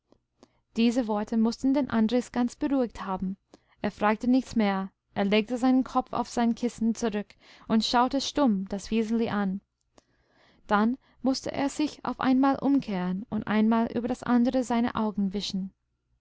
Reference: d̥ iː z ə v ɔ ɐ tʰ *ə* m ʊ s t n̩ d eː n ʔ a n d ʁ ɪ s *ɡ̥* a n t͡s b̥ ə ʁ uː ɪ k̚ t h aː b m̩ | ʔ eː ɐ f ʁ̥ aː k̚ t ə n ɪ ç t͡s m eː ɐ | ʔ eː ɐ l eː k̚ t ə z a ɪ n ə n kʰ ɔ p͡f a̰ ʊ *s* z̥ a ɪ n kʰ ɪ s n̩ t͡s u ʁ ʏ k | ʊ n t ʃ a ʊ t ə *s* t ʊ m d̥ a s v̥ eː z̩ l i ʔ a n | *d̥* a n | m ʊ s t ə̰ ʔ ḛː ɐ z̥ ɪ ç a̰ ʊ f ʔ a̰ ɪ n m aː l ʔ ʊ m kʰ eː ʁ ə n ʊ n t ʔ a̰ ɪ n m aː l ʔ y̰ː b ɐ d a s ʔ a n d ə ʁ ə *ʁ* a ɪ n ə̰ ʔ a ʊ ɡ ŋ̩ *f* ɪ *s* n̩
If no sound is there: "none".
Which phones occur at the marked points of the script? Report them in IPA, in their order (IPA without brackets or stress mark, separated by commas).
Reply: ə, ɡ̥, f, ʃ, d̥, z, v, ʃ